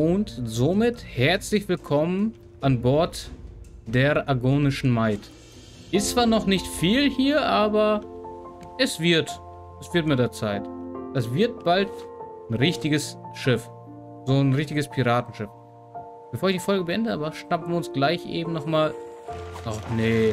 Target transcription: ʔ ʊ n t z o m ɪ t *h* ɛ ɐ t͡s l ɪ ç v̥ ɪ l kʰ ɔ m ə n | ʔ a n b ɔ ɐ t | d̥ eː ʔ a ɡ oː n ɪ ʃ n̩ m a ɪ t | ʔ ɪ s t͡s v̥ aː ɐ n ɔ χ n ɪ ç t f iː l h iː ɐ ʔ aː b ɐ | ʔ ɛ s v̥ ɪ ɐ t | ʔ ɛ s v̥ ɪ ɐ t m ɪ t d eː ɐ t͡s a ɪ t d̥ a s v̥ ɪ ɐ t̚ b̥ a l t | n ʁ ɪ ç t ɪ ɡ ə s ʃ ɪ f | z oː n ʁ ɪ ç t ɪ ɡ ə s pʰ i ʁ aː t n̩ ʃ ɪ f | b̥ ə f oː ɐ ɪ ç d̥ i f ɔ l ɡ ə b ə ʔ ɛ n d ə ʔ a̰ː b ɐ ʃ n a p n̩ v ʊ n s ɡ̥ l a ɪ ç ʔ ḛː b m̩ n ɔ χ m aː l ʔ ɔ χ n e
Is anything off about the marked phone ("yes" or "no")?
no